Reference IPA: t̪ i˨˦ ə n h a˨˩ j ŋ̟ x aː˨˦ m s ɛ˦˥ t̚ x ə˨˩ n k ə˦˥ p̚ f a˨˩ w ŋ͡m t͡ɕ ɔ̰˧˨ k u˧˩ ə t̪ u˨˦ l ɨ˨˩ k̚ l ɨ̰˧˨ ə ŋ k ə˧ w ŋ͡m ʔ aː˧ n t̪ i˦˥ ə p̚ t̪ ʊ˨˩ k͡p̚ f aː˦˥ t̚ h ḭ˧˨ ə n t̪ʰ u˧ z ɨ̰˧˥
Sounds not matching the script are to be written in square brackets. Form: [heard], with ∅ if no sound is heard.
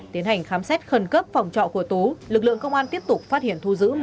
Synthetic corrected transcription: t̪ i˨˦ ə n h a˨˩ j ŋ̟ x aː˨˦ m s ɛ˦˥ t̚ x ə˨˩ n k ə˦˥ p̚ f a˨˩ w ŋ͡m t͡ɕ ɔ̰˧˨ k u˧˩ ə t̪ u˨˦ l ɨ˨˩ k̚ l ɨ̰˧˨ ə ŋ k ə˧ w ŋ͡m ʔ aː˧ n t̪ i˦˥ ə p̚ t̪ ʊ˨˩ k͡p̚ f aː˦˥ t̚ h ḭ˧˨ ə n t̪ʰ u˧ z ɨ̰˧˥